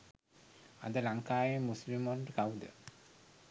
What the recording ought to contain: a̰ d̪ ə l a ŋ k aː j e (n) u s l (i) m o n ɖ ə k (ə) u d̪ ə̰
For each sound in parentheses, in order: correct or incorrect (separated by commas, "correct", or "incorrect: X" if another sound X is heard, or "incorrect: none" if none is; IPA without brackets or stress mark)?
incorrect: m, correct, incorrect: a